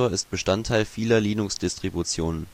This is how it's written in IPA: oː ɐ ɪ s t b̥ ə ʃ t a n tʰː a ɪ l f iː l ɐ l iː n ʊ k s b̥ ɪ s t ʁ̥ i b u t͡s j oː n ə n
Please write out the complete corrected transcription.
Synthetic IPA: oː ɐ ɪ s t b̥ ə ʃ t a n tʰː a ɪ l f iː l ɐ l iː n ʊ k s d̥ ɪ s t ʁ̥ i b u t͡s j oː n ə n